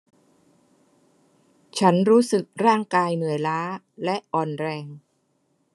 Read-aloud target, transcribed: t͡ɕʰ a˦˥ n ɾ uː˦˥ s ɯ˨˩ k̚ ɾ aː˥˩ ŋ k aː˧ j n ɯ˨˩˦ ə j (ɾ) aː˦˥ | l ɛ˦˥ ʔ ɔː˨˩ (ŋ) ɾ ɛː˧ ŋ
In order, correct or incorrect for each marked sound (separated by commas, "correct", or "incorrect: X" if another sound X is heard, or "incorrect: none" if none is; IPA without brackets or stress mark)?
incorrect: l, incorrect: n